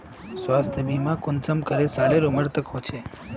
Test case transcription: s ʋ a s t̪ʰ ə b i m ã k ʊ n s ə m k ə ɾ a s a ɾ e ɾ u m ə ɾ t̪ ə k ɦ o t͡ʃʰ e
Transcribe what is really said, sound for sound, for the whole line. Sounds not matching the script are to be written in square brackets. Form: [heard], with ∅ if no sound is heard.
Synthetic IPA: s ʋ a s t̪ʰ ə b i m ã k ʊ n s ə m k ə ɾ [e] s a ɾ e ɾ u m ə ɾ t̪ ə k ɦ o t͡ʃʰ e